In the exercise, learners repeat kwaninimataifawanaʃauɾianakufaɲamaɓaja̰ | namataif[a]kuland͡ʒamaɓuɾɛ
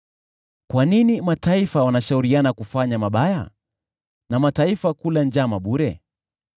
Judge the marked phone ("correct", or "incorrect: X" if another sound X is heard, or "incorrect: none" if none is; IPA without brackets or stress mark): correct